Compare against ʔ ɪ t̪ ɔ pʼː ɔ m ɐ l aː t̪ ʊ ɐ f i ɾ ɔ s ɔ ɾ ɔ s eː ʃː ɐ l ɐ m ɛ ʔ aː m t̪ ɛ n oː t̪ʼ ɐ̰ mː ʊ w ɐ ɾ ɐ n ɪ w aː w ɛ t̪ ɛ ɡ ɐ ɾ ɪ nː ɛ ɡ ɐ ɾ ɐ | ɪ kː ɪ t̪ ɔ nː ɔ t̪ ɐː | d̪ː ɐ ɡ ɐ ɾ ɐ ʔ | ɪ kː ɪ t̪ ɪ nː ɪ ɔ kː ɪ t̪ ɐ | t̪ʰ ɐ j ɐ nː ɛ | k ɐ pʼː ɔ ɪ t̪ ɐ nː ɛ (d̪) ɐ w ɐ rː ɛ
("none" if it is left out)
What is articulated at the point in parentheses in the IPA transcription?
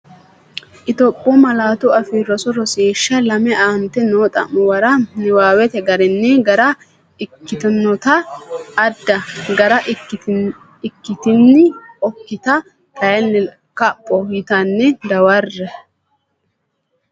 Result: d̪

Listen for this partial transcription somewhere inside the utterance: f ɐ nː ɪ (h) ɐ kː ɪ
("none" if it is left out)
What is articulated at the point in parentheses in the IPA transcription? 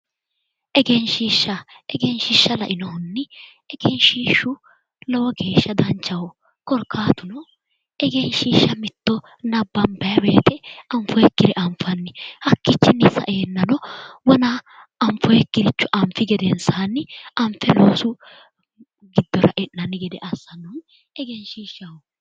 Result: h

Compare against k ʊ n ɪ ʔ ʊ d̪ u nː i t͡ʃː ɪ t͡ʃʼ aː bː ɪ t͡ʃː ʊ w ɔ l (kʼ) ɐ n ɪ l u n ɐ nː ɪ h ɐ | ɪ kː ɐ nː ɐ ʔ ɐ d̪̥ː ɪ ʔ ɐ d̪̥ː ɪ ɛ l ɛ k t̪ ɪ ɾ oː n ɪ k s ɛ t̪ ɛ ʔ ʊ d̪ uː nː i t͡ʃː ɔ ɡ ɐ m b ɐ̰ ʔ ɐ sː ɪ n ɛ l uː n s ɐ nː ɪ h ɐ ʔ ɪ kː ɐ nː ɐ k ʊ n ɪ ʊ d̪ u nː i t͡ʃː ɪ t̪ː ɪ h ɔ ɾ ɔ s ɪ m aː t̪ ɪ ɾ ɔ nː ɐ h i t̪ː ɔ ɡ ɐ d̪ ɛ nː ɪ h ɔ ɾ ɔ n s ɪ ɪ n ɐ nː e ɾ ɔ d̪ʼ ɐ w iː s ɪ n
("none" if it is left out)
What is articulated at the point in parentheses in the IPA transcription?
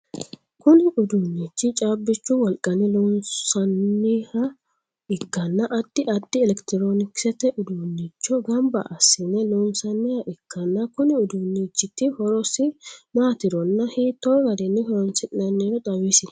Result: kʼ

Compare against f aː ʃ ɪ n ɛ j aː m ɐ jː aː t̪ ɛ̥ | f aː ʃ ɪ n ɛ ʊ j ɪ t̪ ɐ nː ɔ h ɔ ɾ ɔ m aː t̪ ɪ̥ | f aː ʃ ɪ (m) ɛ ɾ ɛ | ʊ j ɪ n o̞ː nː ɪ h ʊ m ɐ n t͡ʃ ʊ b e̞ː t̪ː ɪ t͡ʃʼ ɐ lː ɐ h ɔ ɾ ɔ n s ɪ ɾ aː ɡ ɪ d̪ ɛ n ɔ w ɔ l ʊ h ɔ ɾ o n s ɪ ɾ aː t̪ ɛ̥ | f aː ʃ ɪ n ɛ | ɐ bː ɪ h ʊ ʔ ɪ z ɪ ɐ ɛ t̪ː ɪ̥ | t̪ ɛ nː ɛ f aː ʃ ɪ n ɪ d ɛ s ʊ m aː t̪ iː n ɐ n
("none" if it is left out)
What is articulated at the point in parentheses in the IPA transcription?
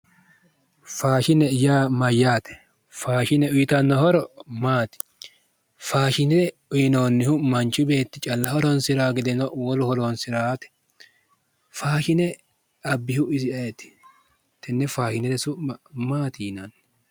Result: n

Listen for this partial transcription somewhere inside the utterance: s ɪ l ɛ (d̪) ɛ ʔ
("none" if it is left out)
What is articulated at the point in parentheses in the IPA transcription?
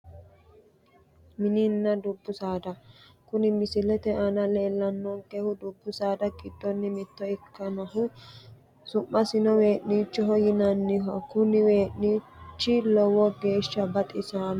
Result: t̪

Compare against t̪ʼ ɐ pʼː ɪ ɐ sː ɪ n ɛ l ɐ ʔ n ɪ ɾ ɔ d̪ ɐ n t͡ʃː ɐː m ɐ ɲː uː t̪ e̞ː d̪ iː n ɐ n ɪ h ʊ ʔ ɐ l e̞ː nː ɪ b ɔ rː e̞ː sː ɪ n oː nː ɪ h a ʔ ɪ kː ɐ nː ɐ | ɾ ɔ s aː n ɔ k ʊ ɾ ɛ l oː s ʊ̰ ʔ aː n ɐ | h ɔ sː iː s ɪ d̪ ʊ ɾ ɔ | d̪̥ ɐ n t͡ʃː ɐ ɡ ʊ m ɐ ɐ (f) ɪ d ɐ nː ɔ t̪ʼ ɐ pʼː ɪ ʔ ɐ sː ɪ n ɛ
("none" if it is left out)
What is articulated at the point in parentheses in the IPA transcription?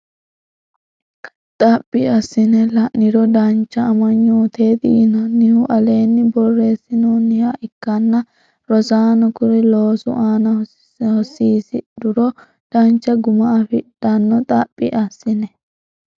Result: f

